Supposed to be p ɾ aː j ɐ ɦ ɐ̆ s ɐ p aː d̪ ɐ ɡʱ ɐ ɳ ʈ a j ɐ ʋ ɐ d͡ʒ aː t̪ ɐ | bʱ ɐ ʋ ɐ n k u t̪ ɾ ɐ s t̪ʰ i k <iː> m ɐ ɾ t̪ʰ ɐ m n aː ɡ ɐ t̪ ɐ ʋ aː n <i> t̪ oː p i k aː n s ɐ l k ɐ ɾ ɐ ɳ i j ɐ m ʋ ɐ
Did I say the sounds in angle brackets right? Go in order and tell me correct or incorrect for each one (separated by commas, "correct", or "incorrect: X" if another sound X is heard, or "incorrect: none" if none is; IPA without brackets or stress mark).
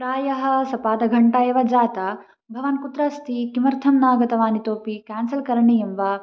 incorrect: i, correct